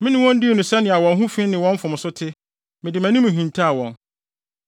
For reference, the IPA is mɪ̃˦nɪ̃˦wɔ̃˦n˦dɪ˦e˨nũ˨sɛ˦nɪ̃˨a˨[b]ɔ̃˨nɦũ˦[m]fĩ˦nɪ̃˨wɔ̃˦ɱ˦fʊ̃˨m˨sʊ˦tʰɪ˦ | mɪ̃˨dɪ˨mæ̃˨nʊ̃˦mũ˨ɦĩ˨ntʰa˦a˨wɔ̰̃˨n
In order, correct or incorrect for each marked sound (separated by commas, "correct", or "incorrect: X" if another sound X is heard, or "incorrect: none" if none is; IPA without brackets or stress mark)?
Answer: incorrect: w, incorrect: none